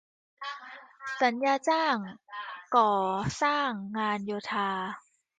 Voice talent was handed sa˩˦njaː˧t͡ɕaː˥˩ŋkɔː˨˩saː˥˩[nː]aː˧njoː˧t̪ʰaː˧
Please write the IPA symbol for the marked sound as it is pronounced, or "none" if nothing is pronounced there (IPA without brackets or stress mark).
ŋː